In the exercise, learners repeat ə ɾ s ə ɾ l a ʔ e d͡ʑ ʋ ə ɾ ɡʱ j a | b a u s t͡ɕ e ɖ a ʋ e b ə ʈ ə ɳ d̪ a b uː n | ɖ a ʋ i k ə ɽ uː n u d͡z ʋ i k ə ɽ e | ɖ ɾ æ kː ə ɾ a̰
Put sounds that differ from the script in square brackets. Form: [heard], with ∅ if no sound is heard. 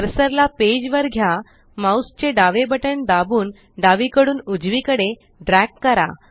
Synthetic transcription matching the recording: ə ɾ s ə ɾ l a [p] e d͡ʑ ʋ ə ɾ ɡʱ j a | [m] a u s t͡ɕ e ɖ a ʋ e b ə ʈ ə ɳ d̪ a b uː n | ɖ a ʋ i k ə ɽ uː n u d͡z ʋ i k ə ɽ e | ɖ ɾ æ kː ə ɾ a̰